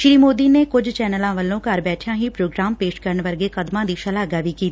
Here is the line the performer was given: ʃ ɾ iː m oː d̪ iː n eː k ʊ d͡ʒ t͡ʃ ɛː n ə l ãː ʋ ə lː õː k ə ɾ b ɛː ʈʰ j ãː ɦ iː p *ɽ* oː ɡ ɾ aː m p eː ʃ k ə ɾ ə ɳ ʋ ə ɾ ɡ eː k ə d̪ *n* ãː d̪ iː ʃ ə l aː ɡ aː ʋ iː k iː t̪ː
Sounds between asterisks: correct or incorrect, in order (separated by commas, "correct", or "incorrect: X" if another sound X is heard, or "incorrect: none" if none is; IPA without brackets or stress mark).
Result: incorrect: ɾ, incorrect: m